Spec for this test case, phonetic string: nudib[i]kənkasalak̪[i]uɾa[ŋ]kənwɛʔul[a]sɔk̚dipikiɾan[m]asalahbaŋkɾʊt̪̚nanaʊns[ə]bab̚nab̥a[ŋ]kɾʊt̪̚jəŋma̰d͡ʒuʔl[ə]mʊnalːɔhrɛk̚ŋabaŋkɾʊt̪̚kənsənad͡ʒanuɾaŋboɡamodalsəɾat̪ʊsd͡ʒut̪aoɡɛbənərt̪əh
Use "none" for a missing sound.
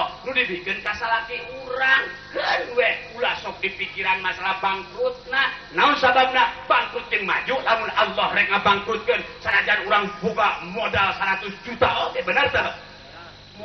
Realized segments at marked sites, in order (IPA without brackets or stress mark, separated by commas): i, i, ŋ, a, m, a, ŋ, a